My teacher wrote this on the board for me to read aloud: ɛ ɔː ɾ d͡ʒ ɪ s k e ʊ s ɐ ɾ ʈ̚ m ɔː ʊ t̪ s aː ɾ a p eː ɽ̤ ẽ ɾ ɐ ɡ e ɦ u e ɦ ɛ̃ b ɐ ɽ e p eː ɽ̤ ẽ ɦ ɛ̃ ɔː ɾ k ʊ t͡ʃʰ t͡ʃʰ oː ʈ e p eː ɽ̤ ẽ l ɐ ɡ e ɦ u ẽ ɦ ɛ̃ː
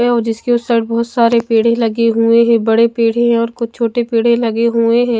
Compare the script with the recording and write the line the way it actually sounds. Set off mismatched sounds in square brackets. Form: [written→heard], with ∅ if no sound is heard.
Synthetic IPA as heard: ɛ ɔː ɾ d͡ʒ ɪ s k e ʊ s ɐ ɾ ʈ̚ [m→b] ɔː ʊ t̪ s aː ɾ [a→e] p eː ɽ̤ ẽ [ɾ→l] ɐ ɡ e ɦ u e ɦ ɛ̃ b ɐ ɽ e p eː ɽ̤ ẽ ɦ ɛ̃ ɔː ɾ k ʊ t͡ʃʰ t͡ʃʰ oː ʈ e p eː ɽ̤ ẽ l ɐ ɡ e ɦ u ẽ ɦ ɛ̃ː